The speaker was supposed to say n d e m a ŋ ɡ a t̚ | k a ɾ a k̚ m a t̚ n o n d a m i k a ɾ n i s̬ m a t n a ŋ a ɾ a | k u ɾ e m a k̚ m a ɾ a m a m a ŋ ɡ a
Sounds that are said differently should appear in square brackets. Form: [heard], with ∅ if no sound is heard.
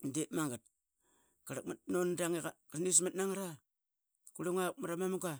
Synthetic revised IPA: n d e m a ŋ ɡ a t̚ | k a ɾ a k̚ m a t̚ n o n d a [ŋ] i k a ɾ n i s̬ m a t n a ŋ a ɾ a | k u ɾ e [ŋ] a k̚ m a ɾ a m a m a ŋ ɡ a